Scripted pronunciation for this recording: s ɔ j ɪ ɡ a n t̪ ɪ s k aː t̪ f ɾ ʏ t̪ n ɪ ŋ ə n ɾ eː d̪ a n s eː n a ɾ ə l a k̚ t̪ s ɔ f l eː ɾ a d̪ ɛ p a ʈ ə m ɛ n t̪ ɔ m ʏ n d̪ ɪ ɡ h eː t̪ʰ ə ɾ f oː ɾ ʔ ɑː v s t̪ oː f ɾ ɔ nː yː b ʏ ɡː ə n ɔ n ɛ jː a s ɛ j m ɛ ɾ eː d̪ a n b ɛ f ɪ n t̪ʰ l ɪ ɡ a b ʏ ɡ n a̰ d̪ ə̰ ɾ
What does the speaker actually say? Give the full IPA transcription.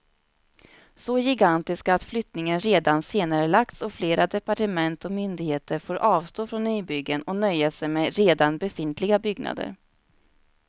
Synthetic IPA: s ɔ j ɪ ɡ a n t̪ ɪ s k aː t̪ f l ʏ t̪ n ɪ ŋ ə n ɾ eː d̪ a n s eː n a ɾ ə l a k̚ t̪ s ɔ f l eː ɾ a d̪ ɛ p a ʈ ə m ɛ n t̪ ɔ m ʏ n d̪ ɪ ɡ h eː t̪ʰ ə ɾ f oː ɾ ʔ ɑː v s t̪ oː f ɾ ɔ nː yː b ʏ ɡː ə n ɔ n œ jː a s ɛ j m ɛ ɾ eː d̪ a n b ɛ f ɪ n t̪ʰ l ɪ ɡ a b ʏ ɡ n a̰ d̪ ə̰ ɾ